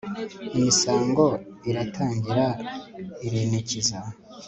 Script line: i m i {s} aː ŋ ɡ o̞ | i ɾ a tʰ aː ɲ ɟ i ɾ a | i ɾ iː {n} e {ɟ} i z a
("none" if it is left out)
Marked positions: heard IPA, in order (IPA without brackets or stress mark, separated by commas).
s, n, c